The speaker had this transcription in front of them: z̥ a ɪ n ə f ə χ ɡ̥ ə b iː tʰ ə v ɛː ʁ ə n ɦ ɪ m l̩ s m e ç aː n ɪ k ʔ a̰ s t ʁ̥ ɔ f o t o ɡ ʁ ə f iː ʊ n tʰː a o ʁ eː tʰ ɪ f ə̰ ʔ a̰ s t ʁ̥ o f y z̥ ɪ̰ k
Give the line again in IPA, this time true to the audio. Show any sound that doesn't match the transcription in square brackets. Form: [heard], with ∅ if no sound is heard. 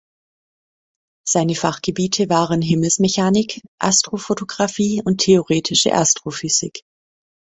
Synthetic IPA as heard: z̥ a ɪ n ə f [a] χ ɡ̥ ə b iː tʰ ə v [aː] ʁ ə n ɦ ɪ m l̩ s m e ç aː n ɪ k ʔ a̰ s t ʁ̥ [o] f o t o ɡ ʁ [a] f iː ʊ n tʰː [e] o ʁ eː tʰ ɪ [ʃ] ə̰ ʔ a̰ s t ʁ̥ o f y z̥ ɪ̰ k